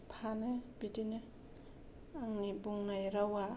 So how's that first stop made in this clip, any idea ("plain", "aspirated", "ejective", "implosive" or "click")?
aspirated